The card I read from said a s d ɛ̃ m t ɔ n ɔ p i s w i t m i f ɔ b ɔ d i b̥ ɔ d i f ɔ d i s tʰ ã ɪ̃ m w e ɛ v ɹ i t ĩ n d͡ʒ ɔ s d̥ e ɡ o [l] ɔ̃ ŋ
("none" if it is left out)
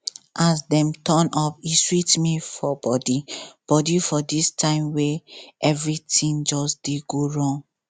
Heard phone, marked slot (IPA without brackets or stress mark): ɹ